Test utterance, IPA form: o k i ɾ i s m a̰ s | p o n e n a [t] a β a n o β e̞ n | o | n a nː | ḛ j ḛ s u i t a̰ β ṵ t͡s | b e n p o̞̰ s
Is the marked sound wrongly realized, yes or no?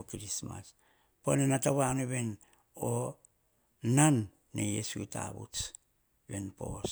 no